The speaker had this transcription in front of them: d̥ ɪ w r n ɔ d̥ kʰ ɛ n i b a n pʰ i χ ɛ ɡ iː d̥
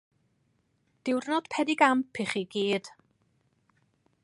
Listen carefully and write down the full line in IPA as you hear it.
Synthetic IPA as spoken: d̥ ɪ w r n ɔ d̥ pʰ ɛ d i ɡ a m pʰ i χ i ɡ iː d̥